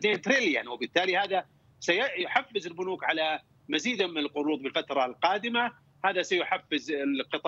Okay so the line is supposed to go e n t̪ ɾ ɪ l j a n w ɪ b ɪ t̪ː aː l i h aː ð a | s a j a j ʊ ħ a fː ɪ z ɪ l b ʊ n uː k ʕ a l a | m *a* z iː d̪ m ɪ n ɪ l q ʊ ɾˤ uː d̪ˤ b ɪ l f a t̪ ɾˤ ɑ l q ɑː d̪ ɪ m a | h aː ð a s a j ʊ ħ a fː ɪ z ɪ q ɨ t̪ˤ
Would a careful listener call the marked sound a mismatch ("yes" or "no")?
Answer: no